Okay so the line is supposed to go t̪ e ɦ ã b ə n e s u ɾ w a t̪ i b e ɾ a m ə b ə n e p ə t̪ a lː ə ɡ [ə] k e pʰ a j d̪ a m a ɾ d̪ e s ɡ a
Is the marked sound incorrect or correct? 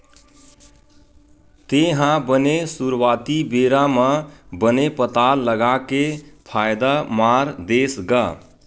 incorrect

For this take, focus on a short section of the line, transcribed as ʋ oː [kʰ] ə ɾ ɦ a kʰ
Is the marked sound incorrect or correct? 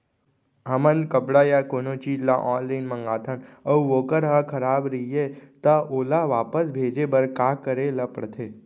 incorrect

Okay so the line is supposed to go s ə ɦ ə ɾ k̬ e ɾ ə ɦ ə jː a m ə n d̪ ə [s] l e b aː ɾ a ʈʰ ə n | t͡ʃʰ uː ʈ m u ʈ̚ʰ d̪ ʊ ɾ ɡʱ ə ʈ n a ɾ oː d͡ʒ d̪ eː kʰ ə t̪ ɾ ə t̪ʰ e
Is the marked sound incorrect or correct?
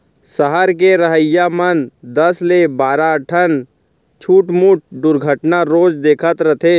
correct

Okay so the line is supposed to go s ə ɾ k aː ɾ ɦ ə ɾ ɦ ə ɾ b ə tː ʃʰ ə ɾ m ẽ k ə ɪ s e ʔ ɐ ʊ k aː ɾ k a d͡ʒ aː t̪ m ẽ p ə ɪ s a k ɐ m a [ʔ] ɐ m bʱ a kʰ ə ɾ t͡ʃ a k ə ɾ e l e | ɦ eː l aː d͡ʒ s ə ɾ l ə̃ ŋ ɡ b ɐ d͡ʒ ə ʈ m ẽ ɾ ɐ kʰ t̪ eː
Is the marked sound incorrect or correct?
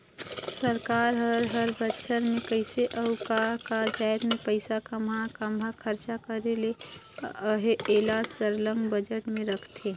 incorrect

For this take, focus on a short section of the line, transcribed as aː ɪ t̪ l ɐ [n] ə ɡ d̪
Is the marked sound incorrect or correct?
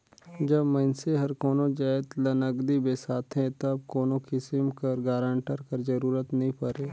correct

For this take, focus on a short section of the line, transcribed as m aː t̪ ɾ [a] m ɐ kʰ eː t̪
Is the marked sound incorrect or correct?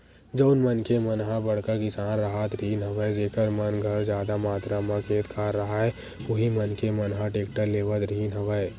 correct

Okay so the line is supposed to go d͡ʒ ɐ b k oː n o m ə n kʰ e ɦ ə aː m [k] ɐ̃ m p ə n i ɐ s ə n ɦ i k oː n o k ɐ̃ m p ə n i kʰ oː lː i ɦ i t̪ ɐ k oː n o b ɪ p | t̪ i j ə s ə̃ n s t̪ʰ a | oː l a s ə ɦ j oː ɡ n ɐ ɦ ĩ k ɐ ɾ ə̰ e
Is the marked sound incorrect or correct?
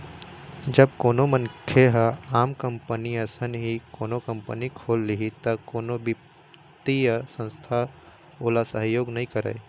correct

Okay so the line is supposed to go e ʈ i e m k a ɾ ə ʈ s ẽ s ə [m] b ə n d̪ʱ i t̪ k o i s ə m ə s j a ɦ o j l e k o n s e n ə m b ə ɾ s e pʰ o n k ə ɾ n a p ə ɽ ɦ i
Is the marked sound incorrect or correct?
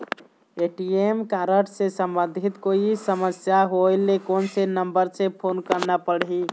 correct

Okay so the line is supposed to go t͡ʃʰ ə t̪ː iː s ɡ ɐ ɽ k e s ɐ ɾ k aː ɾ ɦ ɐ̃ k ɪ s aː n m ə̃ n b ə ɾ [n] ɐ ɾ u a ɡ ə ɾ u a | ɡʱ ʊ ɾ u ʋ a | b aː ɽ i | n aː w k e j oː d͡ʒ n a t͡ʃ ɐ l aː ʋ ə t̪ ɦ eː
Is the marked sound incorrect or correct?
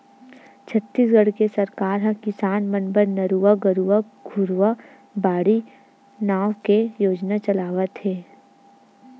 correct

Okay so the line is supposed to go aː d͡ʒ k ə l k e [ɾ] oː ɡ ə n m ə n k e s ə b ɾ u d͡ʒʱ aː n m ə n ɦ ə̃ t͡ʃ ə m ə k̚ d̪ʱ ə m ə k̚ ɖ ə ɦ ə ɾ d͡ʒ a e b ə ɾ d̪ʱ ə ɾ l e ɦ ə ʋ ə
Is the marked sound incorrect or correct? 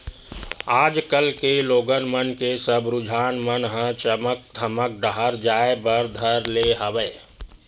incorrect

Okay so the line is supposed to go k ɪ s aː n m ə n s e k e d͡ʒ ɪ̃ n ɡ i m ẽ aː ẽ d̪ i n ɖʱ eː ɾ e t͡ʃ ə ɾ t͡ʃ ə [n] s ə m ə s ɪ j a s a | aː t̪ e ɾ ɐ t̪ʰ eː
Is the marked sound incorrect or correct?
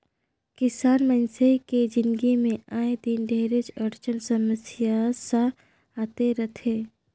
correct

